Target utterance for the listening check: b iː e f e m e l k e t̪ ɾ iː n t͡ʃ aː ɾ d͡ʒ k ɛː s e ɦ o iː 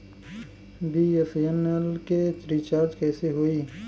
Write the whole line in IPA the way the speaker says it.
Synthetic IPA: b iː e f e n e l k e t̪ ɾ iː t͡ʃ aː ɾ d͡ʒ k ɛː s e ɦ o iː